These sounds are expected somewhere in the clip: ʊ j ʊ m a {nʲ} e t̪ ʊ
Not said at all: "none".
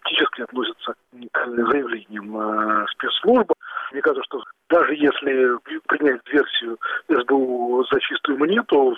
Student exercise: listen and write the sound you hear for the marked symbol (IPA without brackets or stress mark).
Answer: nʲ